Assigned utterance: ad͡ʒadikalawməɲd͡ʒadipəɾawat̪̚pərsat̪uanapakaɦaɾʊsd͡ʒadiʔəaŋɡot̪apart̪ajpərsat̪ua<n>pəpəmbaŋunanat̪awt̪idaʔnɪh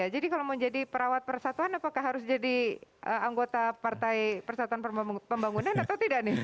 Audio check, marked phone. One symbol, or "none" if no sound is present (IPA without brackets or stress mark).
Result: n